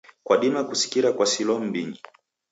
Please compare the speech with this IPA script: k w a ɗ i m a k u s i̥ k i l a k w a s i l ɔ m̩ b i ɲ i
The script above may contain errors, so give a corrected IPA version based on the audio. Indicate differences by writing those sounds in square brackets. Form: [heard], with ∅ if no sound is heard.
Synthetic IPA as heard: k w a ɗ i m a k u s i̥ k i [ɾ] a k w a s i l ɔ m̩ b i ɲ i